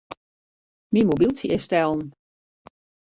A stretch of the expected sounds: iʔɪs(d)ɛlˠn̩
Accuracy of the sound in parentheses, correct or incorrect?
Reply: incorrect